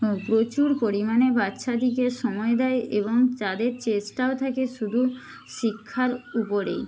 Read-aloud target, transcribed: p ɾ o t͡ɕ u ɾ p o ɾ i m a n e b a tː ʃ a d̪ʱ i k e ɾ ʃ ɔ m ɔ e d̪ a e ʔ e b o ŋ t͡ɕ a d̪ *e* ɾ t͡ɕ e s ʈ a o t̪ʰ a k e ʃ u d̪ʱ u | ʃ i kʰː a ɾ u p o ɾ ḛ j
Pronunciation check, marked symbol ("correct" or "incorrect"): correct